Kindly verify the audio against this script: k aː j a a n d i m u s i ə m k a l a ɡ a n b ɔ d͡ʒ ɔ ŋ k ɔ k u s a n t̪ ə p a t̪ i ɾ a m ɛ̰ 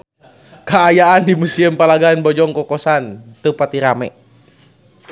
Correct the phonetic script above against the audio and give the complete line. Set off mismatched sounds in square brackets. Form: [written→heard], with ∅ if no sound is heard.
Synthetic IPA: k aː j a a n d i m u s i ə m [k→p] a l a ɡ a n b ɔ d͡ʒ ɔ ŋ k ɔ k [u→ɔ] s a n t̪ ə p a t̪ i ɾ a m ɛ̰